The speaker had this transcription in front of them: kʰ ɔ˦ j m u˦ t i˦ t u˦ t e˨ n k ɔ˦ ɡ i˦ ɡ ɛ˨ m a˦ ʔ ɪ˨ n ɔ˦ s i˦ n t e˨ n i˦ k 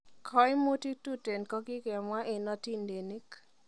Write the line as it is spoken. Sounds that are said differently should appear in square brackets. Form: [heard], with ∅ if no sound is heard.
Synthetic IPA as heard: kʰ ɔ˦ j m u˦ t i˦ t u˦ t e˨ n k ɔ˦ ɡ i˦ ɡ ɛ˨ m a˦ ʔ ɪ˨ n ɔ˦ [t] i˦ n [d] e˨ n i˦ k